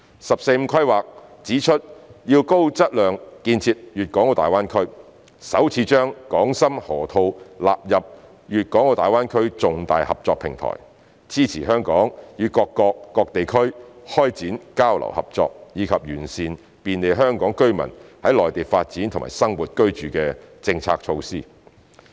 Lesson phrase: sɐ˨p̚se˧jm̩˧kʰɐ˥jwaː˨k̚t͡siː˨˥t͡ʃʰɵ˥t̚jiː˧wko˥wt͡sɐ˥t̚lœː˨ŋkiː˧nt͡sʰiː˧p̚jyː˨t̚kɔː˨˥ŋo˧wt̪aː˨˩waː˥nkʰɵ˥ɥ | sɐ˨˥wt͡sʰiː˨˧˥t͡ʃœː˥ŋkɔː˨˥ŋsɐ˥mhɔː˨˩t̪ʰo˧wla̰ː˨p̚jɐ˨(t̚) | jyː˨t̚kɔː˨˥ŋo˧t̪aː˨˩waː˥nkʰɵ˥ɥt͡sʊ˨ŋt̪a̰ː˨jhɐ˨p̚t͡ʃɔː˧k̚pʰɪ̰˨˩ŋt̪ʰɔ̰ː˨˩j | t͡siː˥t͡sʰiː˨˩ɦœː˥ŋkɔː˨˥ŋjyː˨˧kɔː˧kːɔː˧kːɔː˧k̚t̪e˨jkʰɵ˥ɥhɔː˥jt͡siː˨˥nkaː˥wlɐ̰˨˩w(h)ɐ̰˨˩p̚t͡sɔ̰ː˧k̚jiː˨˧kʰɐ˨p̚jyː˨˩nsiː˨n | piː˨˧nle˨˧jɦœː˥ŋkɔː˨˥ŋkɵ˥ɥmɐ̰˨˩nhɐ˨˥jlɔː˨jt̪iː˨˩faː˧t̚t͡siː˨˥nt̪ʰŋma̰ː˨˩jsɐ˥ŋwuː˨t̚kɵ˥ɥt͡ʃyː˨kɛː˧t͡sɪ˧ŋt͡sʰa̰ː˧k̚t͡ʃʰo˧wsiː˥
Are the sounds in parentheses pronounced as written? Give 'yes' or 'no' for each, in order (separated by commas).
no, yes